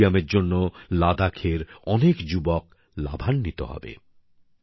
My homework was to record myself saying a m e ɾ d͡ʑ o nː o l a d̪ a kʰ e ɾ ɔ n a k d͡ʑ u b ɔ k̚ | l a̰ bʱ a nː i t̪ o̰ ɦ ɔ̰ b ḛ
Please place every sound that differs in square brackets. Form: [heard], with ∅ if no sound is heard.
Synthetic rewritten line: a m e ɾ d͡ʑ o nː o l a d̪ a kʰ e ɾ ɔ n [e] k d͡ʑ u b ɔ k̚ | l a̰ bʱ a nː i t̪ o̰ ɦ ɔ̰ b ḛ